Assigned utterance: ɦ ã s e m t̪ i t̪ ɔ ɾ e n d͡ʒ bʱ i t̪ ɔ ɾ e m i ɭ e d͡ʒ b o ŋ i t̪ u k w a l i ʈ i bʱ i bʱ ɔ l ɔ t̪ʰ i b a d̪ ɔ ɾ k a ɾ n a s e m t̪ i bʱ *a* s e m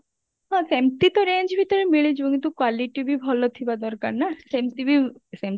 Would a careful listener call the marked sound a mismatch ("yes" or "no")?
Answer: yes